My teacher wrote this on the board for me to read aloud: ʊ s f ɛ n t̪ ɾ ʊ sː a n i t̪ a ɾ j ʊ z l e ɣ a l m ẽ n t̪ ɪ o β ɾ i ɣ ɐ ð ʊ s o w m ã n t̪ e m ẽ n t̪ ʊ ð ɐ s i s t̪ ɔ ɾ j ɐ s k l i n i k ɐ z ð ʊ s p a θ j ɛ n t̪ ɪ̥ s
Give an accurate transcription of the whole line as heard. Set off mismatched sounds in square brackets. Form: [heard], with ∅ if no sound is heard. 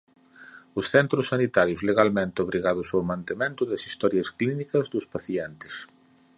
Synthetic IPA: ʊ s [θ] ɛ n t̪ ɾ ʊ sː a n i t̪ a ɾ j ʊ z l e ɣ a l m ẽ n t̪ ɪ o β ɾ i ɣ [a] ð ʊ s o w m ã n t̪ e m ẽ n t̪ ʊ ð ɐ s i s t̪ ɔ ɾ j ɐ s k l i n i k ɐ z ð ʊ s p a θ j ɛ n t̪ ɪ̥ s